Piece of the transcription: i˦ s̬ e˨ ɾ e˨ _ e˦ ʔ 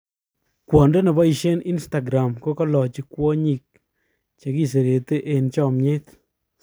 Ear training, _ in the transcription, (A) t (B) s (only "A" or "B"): A